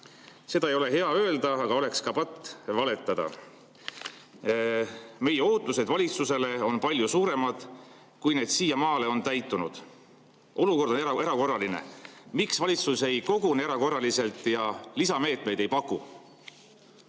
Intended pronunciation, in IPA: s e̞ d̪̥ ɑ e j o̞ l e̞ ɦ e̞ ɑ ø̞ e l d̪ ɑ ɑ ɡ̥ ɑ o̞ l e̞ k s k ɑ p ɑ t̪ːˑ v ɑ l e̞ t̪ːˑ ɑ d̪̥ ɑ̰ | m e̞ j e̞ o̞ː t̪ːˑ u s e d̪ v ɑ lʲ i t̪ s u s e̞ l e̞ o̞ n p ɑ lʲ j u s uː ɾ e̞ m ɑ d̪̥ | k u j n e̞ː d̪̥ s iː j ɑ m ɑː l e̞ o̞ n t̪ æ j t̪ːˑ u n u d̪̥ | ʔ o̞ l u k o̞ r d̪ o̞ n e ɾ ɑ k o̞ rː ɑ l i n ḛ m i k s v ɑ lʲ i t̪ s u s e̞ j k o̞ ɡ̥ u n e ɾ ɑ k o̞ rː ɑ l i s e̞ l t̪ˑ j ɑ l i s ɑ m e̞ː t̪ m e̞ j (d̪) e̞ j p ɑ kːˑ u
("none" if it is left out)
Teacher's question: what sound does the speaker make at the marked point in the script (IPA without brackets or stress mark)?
d̪